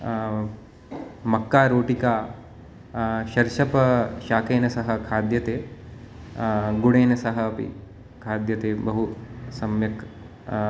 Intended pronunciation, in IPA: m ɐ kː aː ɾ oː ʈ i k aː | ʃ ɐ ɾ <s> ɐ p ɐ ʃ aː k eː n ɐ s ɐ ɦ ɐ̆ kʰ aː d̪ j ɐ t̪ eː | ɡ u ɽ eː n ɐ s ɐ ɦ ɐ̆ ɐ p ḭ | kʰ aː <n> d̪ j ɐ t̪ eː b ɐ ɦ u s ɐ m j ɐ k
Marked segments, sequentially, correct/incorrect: incorrect: ʃ, incorrect: none

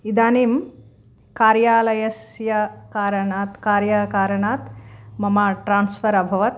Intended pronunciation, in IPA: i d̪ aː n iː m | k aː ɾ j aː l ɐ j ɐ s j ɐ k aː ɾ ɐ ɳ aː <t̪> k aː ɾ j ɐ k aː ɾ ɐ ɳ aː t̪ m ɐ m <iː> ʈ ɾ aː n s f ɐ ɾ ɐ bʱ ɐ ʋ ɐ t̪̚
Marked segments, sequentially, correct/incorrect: correct, incorrect: aː

